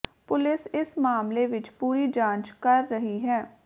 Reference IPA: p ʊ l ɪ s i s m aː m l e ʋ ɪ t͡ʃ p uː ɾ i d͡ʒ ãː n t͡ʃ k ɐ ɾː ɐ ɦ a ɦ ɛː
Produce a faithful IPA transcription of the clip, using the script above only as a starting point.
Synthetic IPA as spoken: p ʊ l ɪ s ɪ s m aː m l e ʋ ɪ t͡ʃ p uː ɾ i d͡ʒ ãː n t͡ʃ k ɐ ɾː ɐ ɦ i ɦ ɛː